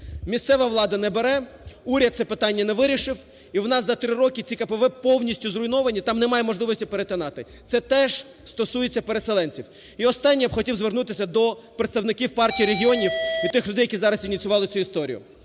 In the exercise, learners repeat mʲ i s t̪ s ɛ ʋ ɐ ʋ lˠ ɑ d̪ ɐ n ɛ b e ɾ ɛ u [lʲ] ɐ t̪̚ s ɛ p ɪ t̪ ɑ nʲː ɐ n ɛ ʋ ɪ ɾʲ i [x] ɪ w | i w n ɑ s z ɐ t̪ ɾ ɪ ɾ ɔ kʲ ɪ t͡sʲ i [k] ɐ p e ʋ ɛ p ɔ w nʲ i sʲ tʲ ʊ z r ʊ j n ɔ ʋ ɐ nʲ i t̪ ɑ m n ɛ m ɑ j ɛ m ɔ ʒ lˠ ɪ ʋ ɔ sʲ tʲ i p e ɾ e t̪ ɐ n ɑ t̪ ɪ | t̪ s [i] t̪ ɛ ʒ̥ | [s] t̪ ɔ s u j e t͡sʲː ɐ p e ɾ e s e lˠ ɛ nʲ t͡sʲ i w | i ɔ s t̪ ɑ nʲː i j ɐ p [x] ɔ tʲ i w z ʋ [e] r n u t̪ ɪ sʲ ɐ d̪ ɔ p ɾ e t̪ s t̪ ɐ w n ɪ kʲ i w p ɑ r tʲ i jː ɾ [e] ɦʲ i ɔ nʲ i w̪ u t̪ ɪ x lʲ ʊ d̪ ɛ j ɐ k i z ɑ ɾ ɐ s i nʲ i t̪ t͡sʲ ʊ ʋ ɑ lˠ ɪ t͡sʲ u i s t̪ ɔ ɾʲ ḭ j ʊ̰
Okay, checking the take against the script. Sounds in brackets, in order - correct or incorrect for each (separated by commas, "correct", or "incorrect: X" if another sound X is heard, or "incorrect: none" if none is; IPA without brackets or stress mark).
incorrect: ɾʲ, incorrect: ʃ, correct, incorrect: ɛ, correct, correct, correct, correct